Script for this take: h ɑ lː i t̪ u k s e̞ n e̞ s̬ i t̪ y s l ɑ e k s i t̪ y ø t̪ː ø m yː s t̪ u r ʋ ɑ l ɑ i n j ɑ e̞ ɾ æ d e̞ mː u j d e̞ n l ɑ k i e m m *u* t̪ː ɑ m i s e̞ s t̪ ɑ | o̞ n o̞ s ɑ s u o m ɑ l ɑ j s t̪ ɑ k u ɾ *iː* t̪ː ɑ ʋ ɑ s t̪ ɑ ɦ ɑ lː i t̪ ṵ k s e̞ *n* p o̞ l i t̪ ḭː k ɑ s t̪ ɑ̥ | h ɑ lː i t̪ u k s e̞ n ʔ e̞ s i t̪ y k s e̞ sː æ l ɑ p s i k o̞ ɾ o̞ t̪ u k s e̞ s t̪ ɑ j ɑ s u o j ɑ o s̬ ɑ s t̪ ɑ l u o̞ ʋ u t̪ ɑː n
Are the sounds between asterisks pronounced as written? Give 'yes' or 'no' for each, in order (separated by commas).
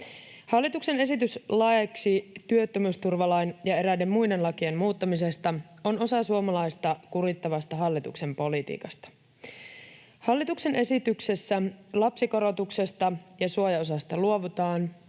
no, no, no